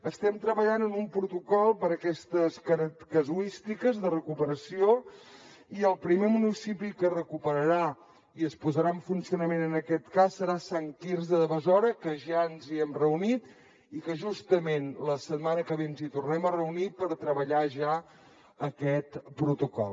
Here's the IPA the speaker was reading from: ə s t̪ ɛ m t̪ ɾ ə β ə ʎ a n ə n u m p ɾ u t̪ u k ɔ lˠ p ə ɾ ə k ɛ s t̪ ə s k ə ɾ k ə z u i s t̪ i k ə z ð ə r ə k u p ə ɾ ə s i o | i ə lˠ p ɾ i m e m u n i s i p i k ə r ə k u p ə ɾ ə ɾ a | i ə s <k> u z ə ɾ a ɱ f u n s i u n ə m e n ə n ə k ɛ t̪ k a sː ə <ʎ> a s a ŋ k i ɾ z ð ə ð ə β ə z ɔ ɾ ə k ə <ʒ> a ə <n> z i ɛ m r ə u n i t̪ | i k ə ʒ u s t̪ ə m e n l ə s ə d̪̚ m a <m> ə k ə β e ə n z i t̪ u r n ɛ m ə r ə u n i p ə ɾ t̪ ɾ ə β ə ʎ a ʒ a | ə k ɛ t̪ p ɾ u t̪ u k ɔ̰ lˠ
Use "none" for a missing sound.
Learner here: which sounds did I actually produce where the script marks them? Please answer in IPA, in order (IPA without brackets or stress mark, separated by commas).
p, ɾ, ʒ, n, n